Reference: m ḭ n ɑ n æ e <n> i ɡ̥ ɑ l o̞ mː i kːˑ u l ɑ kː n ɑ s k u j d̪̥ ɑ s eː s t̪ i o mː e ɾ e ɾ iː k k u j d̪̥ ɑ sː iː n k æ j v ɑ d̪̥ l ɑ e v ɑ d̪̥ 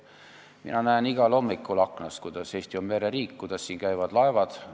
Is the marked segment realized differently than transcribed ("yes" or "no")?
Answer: no